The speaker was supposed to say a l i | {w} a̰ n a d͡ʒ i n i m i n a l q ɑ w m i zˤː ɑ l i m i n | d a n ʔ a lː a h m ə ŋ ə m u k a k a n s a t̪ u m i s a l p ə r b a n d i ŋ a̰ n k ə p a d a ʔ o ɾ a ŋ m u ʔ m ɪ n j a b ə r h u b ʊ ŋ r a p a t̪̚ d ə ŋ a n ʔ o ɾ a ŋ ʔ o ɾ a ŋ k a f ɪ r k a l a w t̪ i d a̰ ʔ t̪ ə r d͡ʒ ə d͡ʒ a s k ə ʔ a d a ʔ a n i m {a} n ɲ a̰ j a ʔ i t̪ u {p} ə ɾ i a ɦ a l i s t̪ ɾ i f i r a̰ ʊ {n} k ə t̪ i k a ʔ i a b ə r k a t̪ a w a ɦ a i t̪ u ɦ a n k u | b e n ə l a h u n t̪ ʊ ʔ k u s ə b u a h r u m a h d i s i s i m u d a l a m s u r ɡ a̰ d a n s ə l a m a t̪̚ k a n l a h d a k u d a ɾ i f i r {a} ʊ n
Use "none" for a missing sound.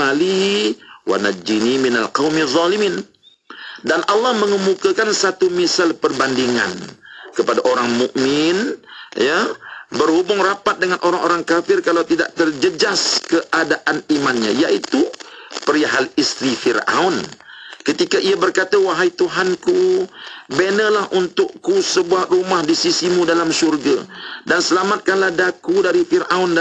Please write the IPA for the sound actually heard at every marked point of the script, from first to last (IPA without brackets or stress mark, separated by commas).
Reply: w, a, p, n, a